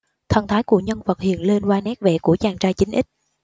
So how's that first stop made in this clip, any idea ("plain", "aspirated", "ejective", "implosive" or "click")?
aspirated